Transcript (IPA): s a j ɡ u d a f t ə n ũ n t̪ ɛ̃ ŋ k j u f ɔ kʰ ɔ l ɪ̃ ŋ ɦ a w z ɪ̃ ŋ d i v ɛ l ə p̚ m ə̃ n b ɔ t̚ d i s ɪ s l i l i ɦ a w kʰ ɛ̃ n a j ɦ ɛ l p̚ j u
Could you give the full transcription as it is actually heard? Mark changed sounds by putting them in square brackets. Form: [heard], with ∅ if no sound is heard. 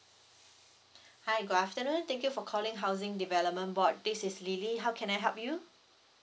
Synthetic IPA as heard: [h] a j ɡ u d a f t ə n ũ n t̪ ɛ̃ ŋ k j u f ɔ kʰ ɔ l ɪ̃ ŋ ɦ a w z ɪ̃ ŋ d i v ɛ l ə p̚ m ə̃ n b ɔ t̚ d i s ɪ s l i l i ɦ a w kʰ ɛ̃ n a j ɦ ɛ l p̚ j u